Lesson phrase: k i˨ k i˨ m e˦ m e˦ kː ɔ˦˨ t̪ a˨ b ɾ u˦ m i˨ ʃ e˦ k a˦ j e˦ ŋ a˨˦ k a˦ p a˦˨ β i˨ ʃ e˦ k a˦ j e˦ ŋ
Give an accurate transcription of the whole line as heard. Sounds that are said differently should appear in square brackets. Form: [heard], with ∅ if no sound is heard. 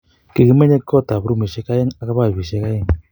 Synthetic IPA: k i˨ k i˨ m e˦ [ɲ] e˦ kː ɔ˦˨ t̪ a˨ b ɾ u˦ m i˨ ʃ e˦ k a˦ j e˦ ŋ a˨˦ k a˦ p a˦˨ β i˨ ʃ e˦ k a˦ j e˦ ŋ